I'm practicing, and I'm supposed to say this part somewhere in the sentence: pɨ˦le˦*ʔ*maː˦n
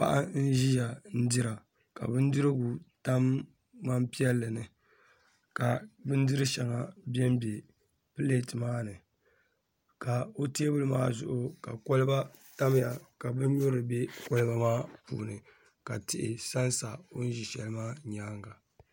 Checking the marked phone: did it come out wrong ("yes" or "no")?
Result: yes